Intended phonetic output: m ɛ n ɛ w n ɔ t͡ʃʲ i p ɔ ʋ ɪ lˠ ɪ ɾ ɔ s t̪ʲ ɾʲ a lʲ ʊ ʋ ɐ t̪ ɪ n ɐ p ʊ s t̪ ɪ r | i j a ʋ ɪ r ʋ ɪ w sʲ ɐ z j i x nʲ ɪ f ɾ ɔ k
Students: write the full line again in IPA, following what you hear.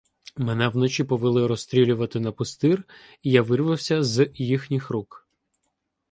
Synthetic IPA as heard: m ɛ n ɛ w n ɔ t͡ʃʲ i p ɔ ʋ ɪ lˠ ɪ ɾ ɔ s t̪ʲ ɾʲ i lʲ ʊ ʋ ɐ t̪ ɪ n ɐ p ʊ s t̪ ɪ r | i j a ʋ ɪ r ʋ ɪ w sʲ ɐ z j i x nʲ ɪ x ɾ u k

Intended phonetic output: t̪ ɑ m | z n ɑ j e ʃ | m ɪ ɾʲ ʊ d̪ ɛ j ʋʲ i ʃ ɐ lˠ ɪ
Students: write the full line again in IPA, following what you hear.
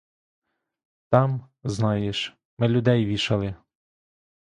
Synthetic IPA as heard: t̪ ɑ m | z n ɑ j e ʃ | m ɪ lʲ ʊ d̪ ɛ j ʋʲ i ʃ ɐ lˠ ɪ

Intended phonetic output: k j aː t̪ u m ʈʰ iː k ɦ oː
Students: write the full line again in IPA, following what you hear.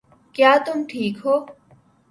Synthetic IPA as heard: k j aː t̪ ʊ m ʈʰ iː k ɦ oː

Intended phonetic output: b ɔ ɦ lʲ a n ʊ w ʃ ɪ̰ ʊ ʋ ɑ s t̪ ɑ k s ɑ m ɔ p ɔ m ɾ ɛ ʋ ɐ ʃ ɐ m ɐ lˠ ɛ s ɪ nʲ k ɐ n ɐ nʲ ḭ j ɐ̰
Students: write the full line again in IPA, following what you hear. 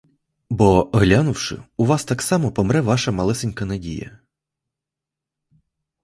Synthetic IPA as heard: b ɔ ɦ lʲ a n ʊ w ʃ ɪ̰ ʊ ʋ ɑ s t̪ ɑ k s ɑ m ɔ p ɔ m ɾ ɛ ʋ ɑ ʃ ɐ m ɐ lˠ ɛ s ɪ nʲ k ɐ n ɐ dʲ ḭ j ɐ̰

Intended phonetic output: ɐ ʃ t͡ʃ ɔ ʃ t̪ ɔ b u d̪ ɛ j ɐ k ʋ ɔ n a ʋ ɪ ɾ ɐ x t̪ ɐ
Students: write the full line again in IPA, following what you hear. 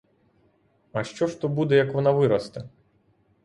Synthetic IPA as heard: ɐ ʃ t͡ʃ ɔ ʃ t̪ ɔ b u d̪ ɛ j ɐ k ʋ ɔ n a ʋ ɪ ɾ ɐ s t̪ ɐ

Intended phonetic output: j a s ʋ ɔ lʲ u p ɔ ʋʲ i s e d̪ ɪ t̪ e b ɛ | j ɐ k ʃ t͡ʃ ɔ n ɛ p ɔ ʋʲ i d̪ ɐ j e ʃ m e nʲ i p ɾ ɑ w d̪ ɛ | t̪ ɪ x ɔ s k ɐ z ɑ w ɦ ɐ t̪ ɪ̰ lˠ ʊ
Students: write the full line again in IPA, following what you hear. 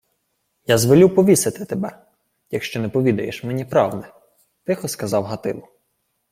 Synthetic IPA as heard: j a z ʋ ɔ lʲ u p ɔ ʋʲ i s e t̪ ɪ t̪ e b ɛ | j ɐ k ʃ t͡ʃ ɔ n ɛ p ɔ ʋʲ i d̪ ɐ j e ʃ m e nʲ i p ɾ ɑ w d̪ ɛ | t̪ ɪ x ɔ s k ɐ z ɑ w ɦ ɐ t̪ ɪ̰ lˠ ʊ

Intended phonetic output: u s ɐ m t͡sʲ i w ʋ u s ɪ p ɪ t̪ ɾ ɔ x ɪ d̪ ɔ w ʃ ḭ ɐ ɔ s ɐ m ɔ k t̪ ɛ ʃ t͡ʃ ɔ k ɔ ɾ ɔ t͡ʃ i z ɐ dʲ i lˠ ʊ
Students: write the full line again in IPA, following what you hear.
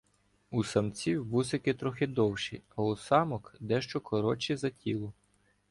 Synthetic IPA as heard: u s ɐ m t͡sʲ i w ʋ u s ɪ k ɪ t̪ ɾ ɔ x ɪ d̪ ɔ w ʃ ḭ ɐ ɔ s ɑ m ɔ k d̪ ɛ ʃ t͡ʃ ɔ k ɔ ɾ ɔ t͡ʃ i z ɐ tʲ i lˠ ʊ

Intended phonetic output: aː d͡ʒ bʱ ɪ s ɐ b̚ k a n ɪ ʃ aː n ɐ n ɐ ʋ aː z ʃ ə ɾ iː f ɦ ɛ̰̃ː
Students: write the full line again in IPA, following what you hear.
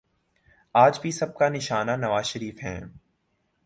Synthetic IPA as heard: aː d͡ʒ bʱ i s ɐ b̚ k a n ɪ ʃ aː n a n ɐ ʋ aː z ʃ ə ɾ iː f ɦ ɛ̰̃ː

